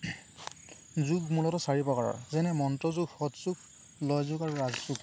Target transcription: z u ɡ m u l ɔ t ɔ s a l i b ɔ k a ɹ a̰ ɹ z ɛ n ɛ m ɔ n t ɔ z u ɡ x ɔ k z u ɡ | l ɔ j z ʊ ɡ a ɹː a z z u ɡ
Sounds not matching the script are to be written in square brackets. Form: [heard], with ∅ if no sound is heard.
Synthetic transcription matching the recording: z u ɡ m u l ɔ t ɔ s a [ɹ] i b ɔ k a ɹ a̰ ɹ z ɛ n ɛ m ɔ n t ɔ z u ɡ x ɔ [t] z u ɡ | l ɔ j z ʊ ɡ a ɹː a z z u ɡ